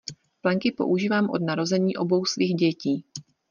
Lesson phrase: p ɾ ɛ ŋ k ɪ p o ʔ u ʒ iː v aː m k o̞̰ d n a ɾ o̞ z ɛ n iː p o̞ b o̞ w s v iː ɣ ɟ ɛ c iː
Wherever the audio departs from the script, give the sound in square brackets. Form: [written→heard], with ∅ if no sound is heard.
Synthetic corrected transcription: p [ɾ→l] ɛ ŋ k ɪ p o ʔ u ʒ iː v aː m [k→ʔ] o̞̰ d n a ɾ o̞ z ɛ [n→ɲ] iː [p→ʔ] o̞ b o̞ w s v iː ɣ ɟ ɛ c iː